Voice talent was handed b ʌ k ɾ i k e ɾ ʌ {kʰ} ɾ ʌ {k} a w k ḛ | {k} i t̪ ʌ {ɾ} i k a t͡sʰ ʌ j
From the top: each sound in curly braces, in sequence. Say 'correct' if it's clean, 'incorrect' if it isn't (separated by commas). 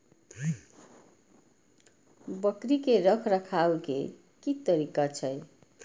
correct, incorrect, correct, correct